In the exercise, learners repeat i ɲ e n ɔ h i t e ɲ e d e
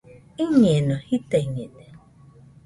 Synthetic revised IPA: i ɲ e n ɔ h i t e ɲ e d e